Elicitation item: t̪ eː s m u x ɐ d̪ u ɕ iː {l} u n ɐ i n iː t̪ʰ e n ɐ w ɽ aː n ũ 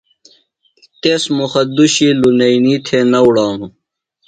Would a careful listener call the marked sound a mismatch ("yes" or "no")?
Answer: no